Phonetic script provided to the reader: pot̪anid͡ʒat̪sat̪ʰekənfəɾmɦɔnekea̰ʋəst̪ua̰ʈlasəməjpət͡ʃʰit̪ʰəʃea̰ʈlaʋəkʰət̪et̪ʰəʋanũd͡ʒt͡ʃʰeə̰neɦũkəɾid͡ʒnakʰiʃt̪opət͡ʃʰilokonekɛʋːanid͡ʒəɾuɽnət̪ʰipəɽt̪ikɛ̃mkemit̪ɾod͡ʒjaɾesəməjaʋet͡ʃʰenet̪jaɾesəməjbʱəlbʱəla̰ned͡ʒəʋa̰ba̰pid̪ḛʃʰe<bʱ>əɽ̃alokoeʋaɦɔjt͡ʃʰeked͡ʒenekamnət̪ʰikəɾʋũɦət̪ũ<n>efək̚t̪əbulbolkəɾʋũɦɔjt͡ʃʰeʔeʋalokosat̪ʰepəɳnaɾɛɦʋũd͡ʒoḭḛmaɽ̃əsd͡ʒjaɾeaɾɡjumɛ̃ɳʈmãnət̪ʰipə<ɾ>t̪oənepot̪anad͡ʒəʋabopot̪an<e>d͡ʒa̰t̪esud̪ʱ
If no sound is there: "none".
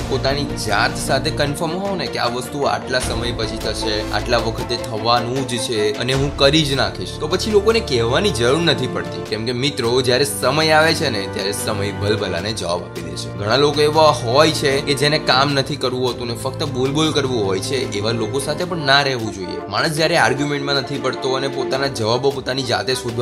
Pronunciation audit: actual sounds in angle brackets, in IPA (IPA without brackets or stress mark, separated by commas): ɡʱ, n, ɽ, i